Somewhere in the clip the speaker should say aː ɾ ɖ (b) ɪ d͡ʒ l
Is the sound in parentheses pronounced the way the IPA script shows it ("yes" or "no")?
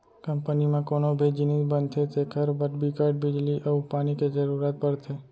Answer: yes